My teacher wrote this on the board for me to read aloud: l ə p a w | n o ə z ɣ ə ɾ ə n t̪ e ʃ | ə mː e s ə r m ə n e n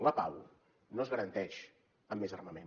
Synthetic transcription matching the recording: l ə p a w | n o ə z ɣ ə ɾ ə n t̪ ɛ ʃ | ə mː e z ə r m ə m e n